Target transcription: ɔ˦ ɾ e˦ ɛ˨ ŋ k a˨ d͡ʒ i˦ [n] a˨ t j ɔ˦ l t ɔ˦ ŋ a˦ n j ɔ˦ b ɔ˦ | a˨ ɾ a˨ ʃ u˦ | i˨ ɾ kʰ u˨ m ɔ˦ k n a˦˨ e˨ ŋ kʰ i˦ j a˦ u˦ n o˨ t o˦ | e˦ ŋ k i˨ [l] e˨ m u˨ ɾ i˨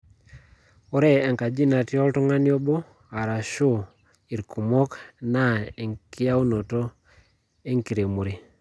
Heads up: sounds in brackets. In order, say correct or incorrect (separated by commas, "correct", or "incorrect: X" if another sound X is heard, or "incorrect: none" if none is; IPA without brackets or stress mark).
correct, incorrect: ɾ